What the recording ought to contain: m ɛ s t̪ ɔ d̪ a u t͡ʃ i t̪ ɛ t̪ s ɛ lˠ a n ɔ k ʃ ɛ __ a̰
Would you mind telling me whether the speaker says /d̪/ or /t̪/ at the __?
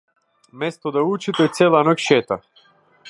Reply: t̪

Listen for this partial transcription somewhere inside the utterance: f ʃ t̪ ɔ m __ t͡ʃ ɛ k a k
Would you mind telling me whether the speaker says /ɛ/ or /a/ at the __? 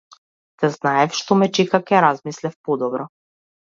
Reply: ɛ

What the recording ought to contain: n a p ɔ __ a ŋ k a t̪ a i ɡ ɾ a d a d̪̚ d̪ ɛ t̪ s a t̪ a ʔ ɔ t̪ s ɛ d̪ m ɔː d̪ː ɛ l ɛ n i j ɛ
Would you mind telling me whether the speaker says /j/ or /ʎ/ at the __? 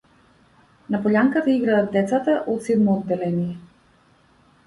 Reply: ʎ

